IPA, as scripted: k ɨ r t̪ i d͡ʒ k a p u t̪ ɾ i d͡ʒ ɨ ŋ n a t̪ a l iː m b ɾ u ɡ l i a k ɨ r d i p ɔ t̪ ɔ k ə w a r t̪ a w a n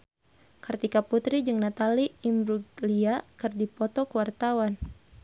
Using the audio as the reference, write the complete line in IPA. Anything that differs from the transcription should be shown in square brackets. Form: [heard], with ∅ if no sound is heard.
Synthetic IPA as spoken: k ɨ r t̪ i [∅] k a p u t̪ ɾ i d͡ʒ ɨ ŋ n a t̪ a l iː m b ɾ u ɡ l i a k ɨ r d i p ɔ t̪ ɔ k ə w a r t̪ a w a n